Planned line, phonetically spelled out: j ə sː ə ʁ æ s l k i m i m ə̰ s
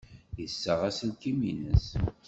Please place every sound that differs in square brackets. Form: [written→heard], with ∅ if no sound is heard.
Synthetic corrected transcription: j ə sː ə ʁ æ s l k i m i [m→n] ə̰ s